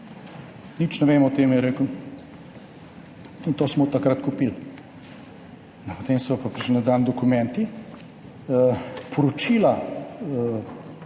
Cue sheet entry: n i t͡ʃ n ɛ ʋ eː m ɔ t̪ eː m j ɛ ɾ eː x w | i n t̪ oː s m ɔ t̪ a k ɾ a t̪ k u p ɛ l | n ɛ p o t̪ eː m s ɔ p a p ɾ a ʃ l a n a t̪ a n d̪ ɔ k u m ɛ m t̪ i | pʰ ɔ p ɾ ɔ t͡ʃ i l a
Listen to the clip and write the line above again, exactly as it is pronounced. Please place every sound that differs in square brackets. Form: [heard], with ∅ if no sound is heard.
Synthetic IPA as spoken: n i t͡ʃ n ɛ ʋ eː m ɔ t̪ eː m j ɛ ɾ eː [k] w | i n t̪ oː s m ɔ t̪ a k ɾ a t̪ k u p [i] l | n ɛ p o t̪ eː m s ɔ p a p ɾ [i] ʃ l [i] n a [d̪] a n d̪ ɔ k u m ɛ [n] t̪ i | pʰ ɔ [∅] ɾ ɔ t͡ʃ i l a